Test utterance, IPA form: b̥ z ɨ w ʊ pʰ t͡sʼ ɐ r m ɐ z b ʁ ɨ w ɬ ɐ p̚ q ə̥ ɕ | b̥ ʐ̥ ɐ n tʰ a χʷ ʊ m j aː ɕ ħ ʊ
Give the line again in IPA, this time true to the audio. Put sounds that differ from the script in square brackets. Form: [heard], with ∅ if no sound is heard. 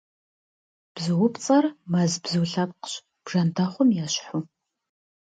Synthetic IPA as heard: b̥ z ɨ w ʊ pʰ t͡sʼ ɐ r m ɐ z b [z] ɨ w ɬ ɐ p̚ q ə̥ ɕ | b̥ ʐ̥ ɐ n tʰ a χʷ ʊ m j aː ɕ ħ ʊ